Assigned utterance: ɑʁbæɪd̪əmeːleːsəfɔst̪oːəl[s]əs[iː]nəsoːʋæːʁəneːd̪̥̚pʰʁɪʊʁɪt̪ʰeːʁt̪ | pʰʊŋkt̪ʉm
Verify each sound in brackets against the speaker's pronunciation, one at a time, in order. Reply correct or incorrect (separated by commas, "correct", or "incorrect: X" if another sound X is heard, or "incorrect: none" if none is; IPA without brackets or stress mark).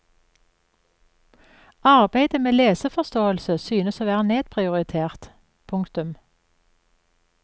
correct, incorrect: yː